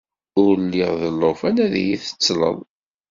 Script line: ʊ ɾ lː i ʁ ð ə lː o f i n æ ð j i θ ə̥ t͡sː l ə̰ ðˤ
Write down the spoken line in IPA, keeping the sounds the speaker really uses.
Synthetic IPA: ʊ ɾ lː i ʁ ð ə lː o f æ n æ ð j i θ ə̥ t͡sː l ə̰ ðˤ